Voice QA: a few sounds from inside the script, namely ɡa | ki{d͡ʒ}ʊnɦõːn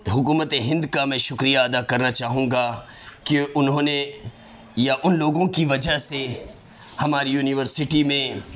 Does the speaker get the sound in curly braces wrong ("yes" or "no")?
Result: yes